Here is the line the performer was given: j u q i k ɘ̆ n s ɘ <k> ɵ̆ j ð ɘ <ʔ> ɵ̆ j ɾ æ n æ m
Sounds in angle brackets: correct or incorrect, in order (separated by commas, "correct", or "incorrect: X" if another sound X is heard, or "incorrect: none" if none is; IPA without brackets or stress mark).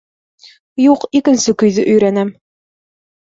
correct, correct